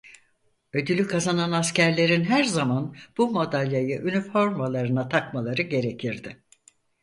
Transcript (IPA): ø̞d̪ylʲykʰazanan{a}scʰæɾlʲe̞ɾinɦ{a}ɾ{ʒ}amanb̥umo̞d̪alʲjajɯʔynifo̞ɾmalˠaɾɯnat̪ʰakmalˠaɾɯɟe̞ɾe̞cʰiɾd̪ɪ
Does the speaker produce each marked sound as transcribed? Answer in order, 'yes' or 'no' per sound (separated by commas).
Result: yes, no, no